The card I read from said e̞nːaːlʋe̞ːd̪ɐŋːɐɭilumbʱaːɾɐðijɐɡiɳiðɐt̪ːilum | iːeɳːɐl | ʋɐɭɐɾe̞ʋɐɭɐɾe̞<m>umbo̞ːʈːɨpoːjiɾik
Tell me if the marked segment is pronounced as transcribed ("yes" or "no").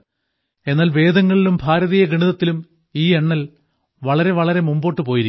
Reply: yes